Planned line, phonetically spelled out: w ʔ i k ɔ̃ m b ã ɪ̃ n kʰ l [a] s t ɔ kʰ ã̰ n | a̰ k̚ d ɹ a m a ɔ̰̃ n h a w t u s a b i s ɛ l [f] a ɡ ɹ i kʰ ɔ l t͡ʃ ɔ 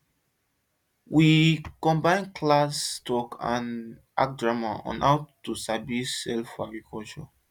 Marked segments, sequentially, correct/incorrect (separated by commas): correct, correct